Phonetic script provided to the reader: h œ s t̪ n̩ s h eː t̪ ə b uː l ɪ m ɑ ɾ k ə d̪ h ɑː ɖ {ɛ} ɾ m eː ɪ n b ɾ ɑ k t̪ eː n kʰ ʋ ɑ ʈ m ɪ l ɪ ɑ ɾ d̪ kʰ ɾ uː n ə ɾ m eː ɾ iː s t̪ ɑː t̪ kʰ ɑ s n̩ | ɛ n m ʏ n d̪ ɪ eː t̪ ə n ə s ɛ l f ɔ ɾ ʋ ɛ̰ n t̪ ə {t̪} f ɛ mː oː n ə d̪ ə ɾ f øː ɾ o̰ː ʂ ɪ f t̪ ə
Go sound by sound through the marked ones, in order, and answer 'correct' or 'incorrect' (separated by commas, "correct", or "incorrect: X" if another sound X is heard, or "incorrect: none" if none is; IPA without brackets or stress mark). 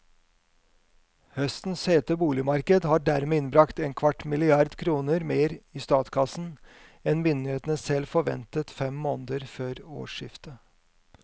incorrect: æ, correct